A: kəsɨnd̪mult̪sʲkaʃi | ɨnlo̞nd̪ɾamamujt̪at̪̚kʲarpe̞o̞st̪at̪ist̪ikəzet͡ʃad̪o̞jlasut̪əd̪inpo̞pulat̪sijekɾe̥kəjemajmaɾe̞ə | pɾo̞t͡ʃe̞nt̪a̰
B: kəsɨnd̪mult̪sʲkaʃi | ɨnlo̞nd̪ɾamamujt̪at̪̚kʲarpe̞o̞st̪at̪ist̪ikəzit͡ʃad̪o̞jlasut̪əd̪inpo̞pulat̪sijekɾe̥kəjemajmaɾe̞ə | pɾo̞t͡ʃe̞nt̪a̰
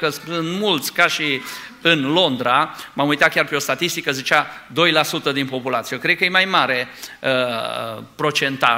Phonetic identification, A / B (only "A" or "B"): B